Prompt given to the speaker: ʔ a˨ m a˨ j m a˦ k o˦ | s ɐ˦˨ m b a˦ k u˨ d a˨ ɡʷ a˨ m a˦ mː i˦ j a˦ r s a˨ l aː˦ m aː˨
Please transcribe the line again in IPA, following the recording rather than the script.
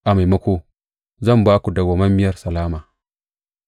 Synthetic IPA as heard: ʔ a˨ m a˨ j m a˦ k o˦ | z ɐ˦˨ m b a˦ k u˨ d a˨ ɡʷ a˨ m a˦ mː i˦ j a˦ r s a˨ l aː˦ m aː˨